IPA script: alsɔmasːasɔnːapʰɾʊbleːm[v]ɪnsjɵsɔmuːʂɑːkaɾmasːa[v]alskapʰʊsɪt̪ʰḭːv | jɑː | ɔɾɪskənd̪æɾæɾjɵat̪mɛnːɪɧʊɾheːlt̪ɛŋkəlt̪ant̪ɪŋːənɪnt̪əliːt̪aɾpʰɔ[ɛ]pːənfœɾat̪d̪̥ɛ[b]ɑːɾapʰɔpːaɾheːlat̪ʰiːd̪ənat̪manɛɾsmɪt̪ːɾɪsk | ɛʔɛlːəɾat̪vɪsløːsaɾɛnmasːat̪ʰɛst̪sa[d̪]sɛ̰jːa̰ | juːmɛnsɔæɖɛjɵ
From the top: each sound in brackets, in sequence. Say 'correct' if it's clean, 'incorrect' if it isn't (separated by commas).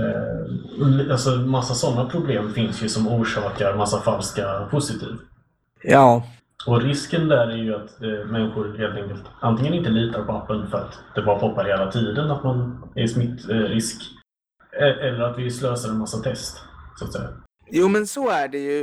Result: incorrect, incorrect, incorrect, correct, incorrect